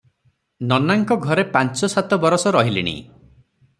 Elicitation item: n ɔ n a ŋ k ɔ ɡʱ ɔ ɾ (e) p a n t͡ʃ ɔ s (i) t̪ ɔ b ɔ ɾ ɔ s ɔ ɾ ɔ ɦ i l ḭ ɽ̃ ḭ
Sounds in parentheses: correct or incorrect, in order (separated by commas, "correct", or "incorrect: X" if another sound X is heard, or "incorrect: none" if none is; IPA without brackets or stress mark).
correct, incorrect: a